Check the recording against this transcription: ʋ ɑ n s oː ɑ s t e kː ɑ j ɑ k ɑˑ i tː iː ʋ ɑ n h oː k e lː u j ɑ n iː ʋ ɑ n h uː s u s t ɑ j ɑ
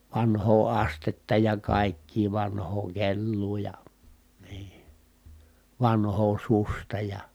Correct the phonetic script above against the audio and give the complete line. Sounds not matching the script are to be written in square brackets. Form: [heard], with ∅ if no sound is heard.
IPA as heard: ʋ ɑ n [h] oː ɑ s t e [tː] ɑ j ɑ k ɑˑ i [kː] iː ʋ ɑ n h oː k e lː [uː] j ɑ n iː ʋ ɑ n h [oː] s u s t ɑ j ɑ